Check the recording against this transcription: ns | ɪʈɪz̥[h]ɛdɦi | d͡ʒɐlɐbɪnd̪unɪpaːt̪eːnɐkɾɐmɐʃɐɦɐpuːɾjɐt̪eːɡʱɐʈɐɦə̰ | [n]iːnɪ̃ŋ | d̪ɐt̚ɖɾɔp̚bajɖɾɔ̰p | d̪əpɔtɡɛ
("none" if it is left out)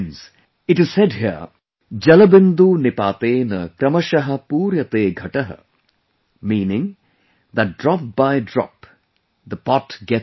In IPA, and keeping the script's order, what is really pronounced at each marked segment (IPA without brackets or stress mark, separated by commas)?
s, m